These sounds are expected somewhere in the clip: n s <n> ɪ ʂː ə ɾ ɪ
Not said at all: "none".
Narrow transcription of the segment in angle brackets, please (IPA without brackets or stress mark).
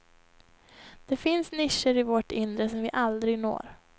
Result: n